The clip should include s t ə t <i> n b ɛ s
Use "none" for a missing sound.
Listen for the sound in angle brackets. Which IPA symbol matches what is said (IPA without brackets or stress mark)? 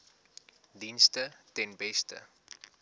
ɛ